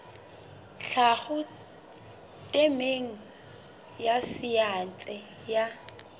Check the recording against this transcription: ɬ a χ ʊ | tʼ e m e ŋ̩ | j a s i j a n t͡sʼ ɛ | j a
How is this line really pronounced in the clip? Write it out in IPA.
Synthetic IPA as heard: ɬ a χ ʊ | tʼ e m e ŋ̩ | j a s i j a n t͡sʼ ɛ | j a